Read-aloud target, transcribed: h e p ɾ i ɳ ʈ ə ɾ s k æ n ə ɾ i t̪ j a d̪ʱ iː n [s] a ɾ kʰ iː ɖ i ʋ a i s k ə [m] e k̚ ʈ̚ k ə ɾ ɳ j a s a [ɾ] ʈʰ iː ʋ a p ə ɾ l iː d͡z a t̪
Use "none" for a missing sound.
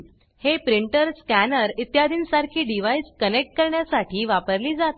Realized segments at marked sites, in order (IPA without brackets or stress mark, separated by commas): s, n, none